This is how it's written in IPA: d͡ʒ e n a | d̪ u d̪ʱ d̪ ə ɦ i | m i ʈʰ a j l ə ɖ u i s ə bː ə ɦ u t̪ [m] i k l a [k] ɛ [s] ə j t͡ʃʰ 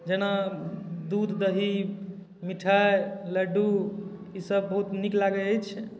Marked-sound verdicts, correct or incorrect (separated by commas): incorrect, incorrect, incorrect